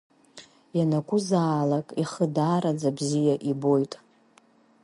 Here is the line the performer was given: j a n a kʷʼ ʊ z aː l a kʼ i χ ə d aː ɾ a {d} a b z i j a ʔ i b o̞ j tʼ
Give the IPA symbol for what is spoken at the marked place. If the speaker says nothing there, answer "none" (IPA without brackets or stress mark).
d͡z